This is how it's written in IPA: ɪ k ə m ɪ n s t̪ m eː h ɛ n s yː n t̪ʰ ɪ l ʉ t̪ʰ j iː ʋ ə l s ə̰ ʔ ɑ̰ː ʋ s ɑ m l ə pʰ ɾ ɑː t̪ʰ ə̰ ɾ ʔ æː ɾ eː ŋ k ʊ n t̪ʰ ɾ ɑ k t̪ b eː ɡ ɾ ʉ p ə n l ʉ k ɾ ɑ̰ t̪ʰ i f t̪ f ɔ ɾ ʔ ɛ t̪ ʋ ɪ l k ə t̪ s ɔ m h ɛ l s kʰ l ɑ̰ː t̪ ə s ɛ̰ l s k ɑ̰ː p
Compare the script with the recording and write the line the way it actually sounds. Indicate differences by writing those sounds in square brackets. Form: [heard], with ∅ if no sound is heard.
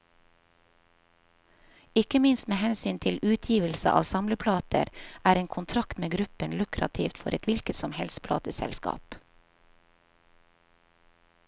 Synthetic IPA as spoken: ɪ k ə m ɪ n s t̪ m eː h ɛ n s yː n t̪ʰ ɪ l [ʉː] t̪ʰ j iː ʋ ə l s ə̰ ʔ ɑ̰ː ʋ s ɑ m l ə pʰ [l] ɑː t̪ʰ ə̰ ɾ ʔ æː ɾ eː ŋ [kʰ] ʊ n t̪ʰ ɾ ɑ k t̪ [m] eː ɡ ɾ ʉ p ə n l ʉ k ɾ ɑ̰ t̪ʰ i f t̪ f ɔ ɾ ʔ ɛ t̪ ʋ ɪ l k ə t̪ s ɔ m h ɛ l s [pʰ] l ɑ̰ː t̪ ə s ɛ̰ l s k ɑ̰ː p